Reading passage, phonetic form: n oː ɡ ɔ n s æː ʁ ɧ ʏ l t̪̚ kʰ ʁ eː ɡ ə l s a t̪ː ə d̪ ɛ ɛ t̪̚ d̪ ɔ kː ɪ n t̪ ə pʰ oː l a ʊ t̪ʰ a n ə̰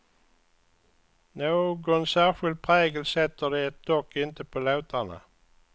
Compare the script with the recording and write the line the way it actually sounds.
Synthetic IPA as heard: n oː ɡ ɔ n s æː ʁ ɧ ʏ l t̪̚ pʰ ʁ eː ɡ ə l s ɛ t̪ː ə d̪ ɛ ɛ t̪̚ d̪ ɔ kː ɪ n t̪ ə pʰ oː l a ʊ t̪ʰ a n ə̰

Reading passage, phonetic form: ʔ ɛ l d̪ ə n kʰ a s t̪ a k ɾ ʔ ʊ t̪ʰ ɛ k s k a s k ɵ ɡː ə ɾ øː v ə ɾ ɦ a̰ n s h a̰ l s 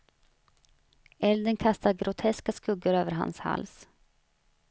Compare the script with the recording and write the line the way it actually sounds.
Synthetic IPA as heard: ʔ ɛ l d̪ ə n kʰ a s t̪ a ɡ ɾ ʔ ʊ t̪ʰ ɛ s k a s k ɵ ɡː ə ɾ øː v ə ɾ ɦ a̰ n s h a̰ l s

